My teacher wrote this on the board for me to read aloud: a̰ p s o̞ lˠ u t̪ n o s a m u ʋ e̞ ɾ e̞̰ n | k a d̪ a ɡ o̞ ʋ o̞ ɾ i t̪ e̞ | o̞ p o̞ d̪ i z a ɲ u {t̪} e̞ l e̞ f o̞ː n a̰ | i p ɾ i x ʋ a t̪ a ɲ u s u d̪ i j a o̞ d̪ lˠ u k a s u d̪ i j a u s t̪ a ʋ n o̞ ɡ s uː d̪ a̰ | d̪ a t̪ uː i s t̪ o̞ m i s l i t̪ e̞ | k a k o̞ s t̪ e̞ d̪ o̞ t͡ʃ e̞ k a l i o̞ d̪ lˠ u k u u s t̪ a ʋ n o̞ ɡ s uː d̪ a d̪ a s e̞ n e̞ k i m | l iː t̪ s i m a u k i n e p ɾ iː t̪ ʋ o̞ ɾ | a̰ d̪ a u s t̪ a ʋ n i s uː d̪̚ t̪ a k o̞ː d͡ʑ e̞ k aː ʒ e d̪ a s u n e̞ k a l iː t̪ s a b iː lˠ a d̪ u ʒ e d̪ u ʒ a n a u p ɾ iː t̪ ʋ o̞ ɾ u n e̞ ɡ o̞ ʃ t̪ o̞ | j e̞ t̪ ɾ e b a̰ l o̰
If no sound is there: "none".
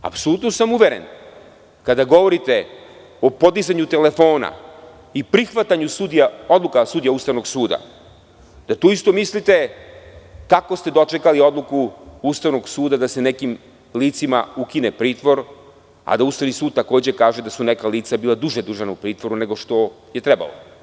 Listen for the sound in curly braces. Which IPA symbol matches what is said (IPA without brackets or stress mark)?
t̪